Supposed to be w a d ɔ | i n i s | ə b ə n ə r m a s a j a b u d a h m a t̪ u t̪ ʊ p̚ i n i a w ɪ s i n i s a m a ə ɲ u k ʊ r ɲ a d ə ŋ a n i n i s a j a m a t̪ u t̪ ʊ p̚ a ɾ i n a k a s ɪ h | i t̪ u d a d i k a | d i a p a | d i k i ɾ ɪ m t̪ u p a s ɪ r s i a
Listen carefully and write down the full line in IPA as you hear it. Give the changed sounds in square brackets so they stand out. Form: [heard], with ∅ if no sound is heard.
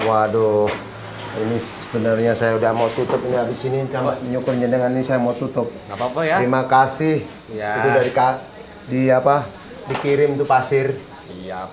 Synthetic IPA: w a d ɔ | i n i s | ə b ə n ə r [ɲ] a s a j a [∅] u d a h m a t̪ u t̪ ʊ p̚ i n i a [b] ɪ s i n i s a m a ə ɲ u k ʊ r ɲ a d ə ŋ a n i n i s a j a m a t̪ u t̪ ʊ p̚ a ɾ i [m] a k a s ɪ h | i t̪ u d a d i k a | d i a p a | d i k i ɾ ɪ m t̪ u p a s ɪ r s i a